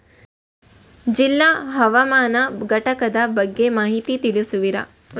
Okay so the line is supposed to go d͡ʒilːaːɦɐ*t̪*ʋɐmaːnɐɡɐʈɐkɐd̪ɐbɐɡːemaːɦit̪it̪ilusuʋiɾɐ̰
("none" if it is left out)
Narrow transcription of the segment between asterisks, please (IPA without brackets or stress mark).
none